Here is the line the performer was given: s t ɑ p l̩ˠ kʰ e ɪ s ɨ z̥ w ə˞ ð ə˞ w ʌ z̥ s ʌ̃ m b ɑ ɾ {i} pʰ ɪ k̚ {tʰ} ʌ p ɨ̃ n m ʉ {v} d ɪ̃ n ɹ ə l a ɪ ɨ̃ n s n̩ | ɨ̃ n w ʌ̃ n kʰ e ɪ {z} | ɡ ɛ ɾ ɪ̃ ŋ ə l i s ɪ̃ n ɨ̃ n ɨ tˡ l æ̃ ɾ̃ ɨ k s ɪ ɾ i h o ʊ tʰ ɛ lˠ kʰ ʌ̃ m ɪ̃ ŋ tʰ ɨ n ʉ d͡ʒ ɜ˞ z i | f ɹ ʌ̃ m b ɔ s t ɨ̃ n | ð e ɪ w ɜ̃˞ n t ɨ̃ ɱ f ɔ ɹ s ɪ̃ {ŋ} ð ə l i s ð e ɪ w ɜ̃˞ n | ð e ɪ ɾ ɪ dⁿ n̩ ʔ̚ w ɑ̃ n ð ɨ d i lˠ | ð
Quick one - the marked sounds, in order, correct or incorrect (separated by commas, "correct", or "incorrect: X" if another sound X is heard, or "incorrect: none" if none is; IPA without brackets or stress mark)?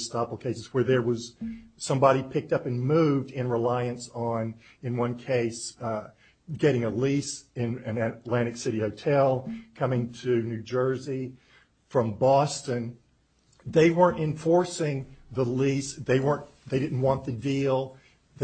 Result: correct, incorrect: t, correct, incorrect: s, correct